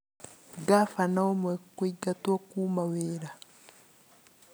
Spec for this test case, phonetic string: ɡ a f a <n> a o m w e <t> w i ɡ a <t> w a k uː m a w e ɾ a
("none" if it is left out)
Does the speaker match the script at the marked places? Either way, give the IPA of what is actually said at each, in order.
n, k, t

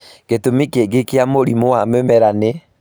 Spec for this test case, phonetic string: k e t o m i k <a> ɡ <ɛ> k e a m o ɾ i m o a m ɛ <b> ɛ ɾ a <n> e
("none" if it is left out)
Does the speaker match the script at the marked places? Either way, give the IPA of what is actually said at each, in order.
e, e, m, n

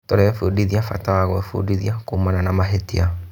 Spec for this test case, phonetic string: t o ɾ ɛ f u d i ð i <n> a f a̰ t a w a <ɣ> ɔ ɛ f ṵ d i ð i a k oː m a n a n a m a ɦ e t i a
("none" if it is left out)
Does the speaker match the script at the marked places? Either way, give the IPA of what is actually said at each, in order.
none, ɣ

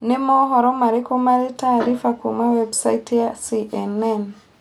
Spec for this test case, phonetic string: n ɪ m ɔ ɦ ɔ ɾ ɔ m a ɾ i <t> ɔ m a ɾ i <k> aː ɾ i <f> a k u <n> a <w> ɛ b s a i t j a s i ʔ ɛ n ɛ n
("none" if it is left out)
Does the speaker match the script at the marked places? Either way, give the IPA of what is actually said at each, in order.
k, t, f, m, w

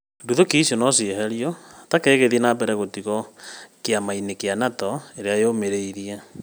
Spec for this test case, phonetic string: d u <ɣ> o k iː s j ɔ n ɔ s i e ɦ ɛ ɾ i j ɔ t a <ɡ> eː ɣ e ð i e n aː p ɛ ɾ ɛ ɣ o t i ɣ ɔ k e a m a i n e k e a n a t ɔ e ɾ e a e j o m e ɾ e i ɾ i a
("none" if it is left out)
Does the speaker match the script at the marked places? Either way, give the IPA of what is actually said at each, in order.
ð, k

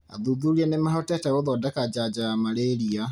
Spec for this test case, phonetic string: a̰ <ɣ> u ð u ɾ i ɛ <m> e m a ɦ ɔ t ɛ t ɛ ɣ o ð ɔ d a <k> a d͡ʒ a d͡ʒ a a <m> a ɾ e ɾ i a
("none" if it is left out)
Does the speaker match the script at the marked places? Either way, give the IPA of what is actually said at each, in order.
ð, n, k, m

